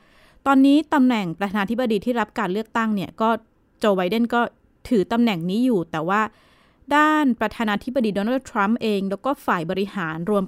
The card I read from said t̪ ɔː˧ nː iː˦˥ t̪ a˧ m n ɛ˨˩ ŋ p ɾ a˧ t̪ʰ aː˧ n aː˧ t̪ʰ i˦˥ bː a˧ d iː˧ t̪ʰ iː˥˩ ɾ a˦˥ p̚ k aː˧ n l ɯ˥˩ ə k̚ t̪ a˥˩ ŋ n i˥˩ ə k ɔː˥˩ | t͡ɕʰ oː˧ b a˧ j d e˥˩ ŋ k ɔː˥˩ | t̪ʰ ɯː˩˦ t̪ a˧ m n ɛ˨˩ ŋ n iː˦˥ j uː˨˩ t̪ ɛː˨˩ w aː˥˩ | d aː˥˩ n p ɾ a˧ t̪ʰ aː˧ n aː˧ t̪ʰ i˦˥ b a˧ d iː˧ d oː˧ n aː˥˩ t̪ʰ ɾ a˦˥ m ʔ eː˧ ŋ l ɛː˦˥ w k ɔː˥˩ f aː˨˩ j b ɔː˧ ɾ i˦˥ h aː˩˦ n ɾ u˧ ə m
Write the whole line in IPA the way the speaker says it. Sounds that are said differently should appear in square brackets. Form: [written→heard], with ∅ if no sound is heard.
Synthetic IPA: t̪ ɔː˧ nː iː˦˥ t̪ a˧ m n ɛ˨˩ ŋ p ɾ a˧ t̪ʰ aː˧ n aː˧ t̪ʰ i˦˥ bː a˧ d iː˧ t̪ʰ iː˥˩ ɾ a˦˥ p̚ k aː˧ n l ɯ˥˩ ə k̚ t̪ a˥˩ ŋ n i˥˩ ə k ɔː˥˩ | [t͡ɕʰ→t͡ɕ] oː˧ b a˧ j d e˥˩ [ŋ→n] k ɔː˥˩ | t̪ʰ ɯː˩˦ t̪ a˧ m n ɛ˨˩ ŋ n iː˦˥ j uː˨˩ t̪ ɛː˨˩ w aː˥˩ | d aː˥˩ n p ɾ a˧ t̪ʰ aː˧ n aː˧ t̪ʰ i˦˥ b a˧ d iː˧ d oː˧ n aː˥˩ t̪ʰ ɾ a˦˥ m ʔ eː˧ ŋ l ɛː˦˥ w k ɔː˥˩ f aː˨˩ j b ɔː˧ ɾ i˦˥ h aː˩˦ n ɾ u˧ ə m